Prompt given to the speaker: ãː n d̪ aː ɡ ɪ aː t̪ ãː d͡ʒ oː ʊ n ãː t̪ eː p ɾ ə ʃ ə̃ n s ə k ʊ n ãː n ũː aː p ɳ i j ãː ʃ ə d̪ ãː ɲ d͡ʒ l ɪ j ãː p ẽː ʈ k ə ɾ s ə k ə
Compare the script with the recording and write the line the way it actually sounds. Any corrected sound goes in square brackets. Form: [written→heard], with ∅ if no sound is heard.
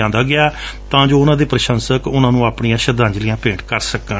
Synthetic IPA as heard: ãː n d̪ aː ɡ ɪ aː t̪ ãː d͡ʒ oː ʊ n ãː [t̪→d̪] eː p ɾ ə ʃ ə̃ n s ə k ʊ n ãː n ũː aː p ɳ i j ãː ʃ ə d̪ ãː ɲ d͡ʒ l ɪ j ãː p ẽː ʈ k ə ɾ s ə k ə